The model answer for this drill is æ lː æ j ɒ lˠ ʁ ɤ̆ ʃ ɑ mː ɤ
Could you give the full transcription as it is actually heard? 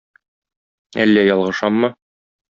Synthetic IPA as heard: æ lː æ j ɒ lˠ ʁ ɤ̆ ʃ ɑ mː ɤ